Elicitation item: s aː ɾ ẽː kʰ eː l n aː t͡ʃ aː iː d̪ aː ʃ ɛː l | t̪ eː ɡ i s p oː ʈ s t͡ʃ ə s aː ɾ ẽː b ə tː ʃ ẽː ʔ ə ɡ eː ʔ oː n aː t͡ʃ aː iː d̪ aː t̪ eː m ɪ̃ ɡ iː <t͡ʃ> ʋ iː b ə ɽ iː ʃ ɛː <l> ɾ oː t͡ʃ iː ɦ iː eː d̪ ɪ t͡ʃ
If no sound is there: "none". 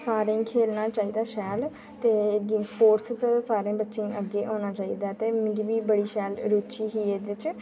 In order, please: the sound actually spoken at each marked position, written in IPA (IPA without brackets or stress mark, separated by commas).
none, l